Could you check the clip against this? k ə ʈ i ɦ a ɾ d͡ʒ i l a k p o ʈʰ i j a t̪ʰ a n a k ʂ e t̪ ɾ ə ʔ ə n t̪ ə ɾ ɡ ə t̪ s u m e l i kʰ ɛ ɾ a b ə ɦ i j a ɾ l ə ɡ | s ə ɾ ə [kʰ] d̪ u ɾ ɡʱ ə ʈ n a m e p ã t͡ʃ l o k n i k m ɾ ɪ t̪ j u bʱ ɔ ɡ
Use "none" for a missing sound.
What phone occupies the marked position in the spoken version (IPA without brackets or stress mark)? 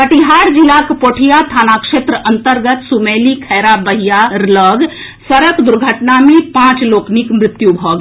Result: k